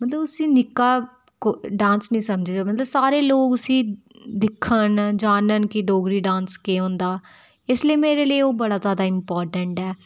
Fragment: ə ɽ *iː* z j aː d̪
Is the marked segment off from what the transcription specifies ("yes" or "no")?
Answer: yes